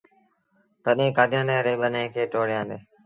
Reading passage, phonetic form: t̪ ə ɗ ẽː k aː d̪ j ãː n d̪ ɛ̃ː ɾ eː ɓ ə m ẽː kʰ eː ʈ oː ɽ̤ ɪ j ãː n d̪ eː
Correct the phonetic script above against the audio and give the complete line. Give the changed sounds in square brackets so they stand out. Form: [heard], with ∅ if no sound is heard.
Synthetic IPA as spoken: t̪ ə ɗ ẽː k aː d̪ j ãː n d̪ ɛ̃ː ɾ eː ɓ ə [n] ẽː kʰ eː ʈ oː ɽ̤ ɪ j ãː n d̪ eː